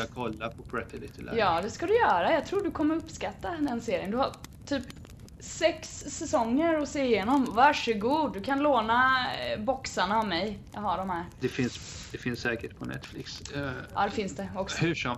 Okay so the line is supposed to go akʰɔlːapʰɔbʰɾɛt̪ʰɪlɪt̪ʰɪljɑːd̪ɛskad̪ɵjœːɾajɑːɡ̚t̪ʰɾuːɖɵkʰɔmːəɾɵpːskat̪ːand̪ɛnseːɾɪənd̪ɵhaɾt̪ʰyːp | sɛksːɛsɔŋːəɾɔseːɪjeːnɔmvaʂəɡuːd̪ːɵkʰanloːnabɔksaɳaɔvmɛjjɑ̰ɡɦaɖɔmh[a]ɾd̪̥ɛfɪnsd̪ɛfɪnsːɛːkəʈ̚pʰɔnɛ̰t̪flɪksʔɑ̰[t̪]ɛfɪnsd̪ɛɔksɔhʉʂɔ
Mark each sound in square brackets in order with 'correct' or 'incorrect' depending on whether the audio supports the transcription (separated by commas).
incorrect, incorrect